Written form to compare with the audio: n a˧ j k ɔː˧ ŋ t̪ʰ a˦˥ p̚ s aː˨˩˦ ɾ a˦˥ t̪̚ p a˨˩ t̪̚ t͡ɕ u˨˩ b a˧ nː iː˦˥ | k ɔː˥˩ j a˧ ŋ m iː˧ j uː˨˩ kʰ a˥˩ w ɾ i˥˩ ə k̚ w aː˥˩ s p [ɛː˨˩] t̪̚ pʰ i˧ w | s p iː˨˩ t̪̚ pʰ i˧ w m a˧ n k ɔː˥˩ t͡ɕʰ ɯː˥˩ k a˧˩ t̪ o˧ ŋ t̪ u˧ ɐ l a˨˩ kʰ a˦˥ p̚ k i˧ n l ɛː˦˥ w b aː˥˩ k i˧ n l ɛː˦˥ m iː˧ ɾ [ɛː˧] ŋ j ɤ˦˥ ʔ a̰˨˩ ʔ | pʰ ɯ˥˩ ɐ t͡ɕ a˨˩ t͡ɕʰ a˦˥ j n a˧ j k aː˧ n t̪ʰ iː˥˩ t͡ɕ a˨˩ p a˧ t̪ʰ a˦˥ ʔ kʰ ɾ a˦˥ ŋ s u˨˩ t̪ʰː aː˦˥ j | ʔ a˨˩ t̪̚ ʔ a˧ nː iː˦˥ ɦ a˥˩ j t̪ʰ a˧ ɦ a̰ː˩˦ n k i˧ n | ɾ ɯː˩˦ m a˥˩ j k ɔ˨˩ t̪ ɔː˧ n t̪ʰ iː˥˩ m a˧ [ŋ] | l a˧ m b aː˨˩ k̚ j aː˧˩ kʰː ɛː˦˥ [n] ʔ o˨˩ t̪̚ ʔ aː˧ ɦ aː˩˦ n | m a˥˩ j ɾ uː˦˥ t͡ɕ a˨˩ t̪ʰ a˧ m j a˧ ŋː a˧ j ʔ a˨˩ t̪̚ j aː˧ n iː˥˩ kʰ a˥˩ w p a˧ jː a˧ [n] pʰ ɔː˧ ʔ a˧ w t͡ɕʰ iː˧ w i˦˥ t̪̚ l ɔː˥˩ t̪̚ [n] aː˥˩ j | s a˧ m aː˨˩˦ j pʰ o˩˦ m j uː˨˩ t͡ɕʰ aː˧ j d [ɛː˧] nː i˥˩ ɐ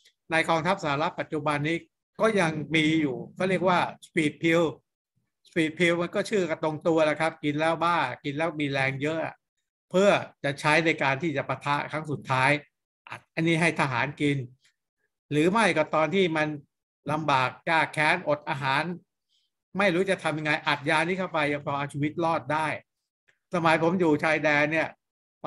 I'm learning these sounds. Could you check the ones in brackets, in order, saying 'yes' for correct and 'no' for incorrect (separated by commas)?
no, yes, no, yes, no, no, yes